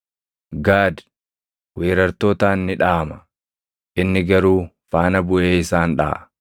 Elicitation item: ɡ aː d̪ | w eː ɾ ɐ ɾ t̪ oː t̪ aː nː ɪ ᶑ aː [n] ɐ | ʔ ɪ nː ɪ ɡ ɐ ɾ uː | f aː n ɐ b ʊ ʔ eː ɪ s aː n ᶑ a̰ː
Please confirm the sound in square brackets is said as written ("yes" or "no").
no